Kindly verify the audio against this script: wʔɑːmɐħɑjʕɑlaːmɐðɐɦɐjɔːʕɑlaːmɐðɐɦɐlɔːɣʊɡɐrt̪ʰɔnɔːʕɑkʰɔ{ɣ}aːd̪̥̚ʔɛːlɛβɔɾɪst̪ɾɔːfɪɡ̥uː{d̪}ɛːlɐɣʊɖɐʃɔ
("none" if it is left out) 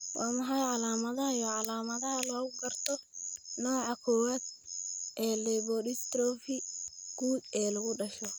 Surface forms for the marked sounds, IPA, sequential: w, d̪

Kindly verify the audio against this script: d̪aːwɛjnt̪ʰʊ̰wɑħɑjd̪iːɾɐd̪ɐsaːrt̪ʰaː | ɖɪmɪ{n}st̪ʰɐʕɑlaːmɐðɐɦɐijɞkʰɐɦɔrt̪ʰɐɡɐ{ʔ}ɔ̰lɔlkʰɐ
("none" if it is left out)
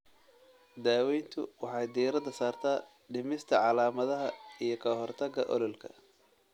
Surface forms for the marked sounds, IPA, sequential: none, ʔ

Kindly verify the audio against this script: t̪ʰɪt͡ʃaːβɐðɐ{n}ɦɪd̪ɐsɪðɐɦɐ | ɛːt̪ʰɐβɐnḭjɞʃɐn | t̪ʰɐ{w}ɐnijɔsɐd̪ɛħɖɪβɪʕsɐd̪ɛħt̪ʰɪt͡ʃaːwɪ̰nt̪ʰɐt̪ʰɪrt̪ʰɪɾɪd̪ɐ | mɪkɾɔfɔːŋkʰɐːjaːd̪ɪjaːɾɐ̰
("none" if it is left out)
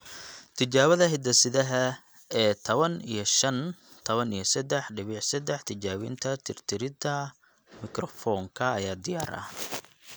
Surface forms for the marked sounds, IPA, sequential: none, β

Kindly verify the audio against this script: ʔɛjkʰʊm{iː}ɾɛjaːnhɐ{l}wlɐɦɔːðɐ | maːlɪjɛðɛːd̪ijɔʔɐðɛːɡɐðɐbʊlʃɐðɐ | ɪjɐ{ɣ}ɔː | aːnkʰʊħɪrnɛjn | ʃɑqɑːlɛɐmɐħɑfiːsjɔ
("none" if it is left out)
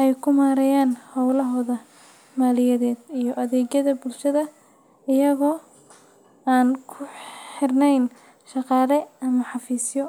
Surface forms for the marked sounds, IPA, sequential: aː, none, ɣ

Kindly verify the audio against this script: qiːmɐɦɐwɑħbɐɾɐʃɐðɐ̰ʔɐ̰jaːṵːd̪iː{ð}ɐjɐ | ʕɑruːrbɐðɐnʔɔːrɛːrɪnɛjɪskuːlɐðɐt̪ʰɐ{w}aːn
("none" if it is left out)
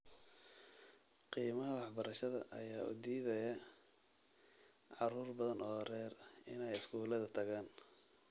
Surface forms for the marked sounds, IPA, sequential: ð, ɣ

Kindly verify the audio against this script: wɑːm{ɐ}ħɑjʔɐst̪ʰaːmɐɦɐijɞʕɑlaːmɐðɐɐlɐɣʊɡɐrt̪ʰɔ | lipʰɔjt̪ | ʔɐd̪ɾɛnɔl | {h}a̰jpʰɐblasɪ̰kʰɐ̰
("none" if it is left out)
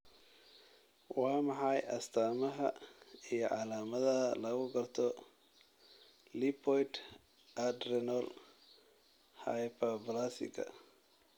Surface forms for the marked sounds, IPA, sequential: ɑ, h

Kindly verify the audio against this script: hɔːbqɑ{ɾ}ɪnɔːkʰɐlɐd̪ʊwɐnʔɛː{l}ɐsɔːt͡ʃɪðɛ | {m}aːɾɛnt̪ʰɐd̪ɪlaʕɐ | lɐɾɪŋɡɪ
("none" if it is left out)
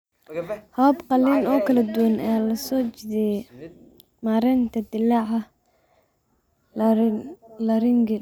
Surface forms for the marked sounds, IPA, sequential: l, l, m

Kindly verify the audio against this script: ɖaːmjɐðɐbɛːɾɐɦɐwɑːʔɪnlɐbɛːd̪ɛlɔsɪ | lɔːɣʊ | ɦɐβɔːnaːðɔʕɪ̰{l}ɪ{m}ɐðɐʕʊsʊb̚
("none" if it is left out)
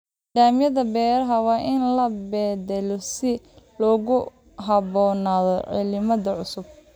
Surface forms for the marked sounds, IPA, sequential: l, m

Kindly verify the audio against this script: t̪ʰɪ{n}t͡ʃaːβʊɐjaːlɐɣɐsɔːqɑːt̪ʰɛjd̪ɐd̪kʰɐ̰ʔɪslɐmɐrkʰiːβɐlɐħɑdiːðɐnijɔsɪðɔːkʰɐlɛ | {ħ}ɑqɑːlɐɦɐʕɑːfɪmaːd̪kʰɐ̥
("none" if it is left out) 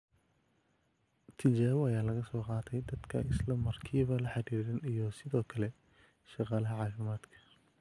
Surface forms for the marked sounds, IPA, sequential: none, ʃ

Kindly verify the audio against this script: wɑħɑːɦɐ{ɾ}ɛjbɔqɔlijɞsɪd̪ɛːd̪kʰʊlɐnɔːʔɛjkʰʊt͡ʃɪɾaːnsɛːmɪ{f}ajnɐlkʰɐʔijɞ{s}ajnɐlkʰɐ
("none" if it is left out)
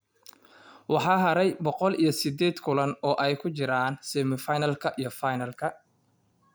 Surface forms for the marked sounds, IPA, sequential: ɾ, f, f

